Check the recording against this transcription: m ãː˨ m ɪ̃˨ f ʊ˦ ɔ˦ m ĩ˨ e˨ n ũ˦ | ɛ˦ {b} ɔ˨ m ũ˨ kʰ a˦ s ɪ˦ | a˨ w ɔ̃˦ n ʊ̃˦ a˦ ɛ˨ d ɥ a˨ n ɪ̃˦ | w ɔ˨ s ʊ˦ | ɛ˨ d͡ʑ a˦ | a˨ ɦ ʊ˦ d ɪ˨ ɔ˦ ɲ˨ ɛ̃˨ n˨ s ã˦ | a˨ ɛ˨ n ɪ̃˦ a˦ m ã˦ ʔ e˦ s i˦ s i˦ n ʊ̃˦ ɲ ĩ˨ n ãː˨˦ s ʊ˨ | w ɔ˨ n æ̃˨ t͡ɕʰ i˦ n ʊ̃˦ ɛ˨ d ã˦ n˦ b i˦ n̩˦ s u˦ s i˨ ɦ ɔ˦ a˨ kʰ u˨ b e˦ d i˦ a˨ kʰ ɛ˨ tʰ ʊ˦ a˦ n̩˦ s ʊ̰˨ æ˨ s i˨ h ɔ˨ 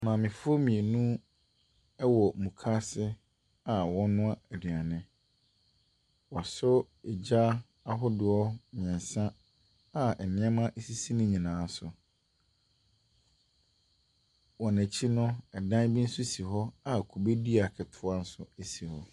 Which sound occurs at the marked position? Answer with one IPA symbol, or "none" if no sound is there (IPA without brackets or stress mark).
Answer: w